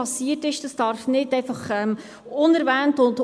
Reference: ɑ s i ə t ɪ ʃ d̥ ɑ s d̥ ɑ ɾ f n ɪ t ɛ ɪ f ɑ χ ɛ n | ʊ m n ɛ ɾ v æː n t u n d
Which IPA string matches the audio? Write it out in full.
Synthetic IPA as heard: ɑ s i ə t ɪ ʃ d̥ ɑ s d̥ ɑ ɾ f n ɪ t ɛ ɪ f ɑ χ ɛ m | ʊ n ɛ ɾ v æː n t ʊ n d